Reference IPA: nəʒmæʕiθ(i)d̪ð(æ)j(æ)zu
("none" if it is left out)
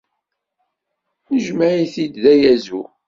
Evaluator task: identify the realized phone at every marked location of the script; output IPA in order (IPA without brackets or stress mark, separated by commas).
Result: i, æ, æ